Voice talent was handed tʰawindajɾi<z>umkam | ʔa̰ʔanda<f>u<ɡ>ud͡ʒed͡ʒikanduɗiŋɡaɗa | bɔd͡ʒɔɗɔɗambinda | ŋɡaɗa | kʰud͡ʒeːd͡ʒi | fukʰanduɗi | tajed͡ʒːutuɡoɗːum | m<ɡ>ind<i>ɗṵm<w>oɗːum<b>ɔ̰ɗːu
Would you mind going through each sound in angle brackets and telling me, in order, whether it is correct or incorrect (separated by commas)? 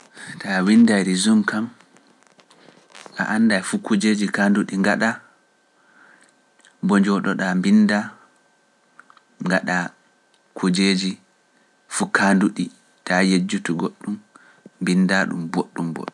correct, correct, incorrect, incorrect, incorrect, incorrect, correct